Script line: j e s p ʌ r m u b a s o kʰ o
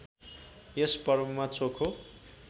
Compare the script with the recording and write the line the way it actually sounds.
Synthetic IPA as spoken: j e s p ʌ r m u m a t͡s o kʰ o